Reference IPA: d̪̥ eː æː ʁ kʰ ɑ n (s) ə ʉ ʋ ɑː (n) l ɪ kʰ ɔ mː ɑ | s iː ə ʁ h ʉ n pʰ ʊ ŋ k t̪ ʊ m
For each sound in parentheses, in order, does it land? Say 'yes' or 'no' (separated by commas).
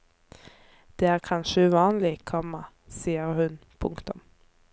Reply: no, yes